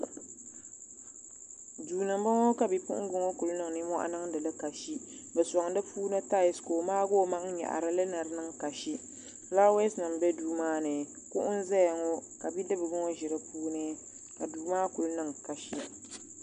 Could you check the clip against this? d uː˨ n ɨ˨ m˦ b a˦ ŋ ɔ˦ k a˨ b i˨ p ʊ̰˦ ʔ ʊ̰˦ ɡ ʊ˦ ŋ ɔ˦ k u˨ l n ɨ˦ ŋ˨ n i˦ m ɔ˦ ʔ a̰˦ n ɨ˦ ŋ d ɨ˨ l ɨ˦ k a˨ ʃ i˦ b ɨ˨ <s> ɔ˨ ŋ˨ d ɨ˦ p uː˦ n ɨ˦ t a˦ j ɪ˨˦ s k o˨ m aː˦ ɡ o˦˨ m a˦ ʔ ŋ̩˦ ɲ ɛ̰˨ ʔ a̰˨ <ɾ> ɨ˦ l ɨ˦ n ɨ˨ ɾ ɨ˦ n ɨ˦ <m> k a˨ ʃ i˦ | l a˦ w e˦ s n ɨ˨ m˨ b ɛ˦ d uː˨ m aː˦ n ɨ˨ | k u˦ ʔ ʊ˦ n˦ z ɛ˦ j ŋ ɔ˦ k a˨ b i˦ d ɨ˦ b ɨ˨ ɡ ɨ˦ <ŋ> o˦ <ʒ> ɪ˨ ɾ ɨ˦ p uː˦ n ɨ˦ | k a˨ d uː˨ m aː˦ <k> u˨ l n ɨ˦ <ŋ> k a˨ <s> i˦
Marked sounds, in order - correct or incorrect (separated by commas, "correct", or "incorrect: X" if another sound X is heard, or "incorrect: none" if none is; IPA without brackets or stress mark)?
correct, correct, incorrect: ŋ, correct, correct, correct, correct, incorrect: ʃ